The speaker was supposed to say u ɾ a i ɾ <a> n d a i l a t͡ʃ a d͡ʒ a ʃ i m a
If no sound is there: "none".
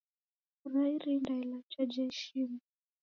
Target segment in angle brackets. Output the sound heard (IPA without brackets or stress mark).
i